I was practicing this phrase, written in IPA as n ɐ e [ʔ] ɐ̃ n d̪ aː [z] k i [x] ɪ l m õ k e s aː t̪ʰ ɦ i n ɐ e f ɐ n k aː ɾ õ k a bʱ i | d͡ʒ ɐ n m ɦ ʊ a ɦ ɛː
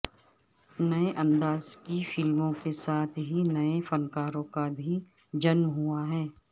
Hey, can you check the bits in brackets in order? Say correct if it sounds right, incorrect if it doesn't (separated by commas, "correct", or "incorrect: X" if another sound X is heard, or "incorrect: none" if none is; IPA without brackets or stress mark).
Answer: correct, correct, incorrect: f